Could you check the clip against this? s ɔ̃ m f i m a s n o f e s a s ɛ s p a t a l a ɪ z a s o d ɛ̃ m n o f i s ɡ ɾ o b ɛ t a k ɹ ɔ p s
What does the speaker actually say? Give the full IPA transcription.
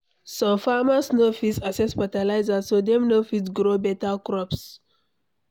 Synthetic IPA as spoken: s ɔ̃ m f a m a s n o f i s a s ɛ s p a t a l a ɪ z a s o d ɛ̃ m n o f i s ɡ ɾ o b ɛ t a k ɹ ɔ p s